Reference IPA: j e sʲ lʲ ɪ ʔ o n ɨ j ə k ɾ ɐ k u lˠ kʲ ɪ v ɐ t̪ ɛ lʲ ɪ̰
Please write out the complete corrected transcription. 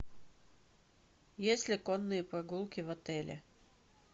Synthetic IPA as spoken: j e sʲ lʲ ɪ k o nː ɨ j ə p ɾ ɐ ɡ u lˠ kʲ ɪ v ɐ t̪ ɛ lʲ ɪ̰